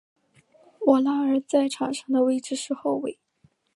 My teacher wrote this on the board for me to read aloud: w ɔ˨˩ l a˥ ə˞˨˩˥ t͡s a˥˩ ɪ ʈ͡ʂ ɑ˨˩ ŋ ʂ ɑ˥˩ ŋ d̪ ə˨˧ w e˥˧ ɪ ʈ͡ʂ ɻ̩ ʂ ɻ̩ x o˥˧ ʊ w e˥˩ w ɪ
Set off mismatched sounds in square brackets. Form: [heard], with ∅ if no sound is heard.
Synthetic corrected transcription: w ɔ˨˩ l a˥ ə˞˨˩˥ t͡s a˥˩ ɪ [ʈ͡ʂʰ] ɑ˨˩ ŋ ʂ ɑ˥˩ ŋ d̪ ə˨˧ w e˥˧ ɪ ʈ͡ʂ ɻ̩ ʂ ɻ̩ x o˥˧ ʊ w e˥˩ [∅] ɪ